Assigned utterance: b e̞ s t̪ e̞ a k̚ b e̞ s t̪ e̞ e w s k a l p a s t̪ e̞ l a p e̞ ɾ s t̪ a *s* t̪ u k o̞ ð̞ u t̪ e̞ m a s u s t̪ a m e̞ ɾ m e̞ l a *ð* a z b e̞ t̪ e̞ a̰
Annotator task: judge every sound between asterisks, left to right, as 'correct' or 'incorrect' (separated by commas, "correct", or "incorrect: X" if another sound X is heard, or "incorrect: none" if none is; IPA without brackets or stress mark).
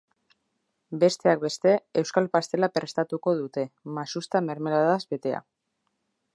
incorrect: none, correct